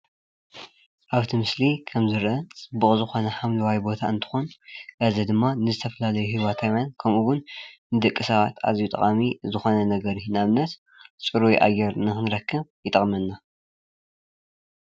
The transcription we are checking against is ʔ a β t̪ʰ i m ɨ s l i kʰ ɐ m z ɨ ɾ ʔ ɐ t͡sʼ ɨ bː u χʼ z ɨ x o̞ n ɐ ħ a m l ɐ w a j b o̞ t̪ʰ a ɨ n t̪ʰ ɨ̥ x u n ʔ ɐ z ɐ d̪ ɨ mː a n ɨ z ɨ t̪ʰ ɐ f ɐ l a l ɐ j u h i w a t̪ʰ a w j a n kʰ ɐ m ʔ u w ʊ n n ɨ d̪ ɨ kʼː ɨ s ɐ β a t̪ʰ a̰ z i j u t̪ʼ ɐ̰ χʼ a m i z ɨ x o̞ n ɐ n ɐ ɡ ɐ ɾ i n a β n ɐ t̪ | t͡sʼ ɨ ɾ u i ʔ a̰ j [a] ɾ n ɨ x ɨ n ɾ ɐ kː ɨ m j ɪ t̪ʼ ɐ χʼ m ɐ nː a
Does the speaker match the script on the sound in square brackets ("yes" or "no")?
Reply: no